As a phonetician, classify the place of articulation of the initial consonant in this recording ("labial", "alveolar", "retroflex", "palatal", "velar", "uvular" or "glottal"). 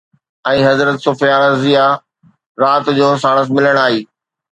glottal